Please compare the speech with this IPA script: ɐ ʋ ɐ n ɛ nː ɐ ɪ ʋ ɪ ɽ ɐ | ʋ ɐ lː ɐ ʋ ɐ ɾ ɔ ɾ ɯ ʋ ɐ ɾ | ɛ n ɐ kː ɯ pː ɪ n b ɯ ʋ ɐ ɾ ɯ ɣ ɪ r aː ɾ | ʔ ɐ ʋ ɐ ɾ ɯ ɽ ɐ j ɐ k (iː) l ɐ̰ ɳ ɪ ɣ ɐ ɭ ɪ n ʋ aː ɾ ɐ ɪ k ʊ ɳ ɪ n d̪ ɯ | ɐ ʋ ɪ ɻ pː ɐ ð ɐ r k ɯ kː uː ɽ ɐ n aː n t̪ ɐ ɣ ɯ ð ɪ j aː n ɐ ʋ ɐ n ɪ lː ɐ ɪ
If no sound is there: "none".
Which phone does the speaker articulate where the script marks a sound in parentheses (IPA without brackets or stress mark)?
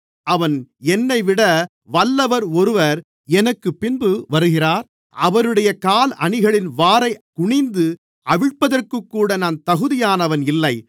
aː